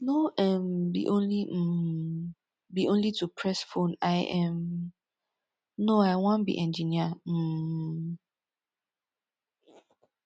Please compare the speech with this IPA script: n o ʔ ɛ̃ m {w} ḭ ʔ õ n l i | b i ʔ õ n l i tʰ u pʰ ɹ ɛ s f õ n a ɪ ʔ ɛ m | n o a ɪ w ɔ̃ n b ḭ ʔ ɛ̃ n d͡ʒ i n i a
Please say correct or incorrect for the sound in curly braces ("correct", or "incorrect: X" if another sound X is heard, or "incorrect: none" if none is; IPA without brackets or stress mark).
incorrect: b